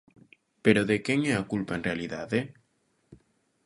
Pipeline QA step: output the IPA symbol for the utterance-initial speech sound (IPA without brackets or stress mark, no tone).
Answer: p